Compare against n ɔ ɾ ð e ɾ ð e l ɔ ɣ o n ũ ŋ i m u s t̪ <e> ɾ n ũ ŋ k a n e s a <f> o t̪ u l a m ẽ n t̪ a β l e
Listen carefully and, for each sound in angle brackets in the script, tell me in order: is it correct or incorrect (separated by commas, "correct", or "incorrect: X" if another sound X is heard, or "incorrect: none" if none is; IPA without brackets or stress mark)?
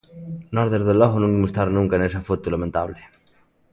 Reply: incorrect: a, correct